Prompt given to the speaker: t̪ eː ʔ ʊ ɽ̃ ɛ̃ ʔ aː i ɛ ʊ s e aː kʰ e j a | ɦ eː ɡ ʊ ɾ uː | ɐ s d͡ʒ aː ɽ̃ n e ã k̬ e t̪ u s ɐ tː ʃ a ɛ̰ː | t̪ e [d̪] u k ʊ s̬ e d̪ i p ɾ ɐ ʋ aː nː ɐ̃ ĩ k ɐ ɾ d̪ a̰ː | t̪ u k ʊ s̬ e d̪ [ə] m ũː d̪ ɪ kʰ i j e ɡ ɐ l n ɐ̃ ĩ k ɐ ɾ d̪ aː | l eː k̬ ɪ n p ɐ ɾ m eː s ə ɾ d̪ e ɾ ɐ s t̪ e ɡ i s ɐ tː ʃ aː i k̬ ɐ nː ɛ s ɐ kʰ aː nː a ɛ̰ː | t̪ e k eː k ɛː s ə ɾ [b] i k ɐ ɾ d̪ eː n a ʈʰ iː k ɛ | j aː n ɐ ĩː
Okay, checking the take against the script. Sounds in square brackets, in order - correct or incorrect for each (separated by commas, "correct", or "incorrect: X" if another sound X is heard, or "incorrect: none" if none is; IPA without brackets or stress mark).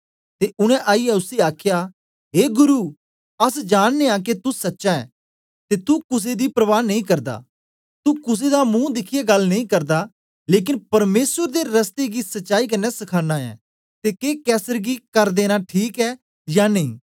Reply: incorrect: t̪, incorrect: a, incorrect: ɡ